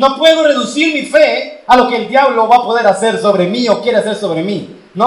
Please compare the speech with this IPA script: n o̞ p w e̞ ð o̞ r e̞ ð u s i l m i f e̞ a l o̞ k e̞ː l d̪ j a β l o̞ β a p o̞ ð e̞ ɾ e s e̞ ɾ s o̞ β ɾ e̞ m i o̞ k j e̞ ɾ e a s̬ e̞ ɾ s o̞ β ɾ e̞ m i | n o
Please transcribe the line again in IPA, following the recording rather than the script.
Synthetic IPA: n o̞ p w e̞ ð o̞ r e̞ ð u s i ɾ m i f e̞ a l o̞ k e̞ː l d̪ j a β l o̞ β a p o̞ ð e̞ ɾ a s e̞ ɾ s o̞ β ɾ e̞ m i o̞ k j e̞ ɾ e a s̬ e̞ ɾ s o̞ β ɾ e̞ m i | n o